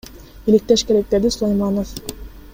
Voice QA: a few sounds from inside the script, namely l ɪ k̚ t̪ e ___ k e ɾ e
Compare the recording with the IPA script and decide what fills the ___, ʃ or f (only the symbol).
ʃ